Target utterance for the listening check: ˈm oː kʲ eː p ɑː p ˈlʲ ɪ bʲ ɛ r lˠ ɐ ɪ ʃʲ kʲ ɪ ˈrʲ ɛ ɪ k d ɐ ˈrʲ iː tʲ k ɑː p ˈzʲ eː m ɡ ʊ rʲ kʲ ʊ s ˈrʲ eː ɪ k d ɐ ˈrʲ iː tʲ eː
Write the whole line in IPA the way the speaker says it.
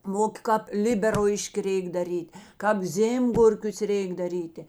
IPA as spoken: ˈm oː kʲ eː k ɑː p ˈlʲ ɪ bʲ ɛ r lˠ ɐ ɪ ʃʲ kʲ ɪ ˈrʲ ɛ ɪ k d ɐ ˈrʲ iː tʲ k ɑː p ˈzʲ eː m ɡ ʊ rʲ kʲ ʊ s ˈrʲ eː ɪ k d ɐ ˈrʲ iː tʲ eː